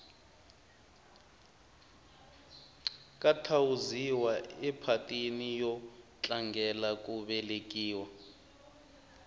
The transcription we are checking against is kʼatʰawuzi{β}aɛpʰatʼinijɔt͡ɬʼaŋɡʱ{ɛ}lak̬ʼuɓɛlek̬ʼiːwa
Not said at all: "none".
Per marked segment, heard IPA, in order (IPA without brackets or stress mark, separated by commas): w, ɛ